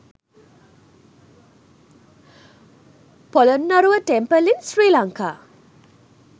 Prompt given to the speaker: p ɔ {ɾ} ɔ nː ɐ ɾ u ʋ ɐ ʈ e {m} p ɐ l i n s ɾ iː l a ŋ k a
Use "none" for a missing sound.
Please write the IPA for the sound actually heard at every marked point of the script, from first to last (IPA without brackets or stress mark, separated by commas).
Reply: l, m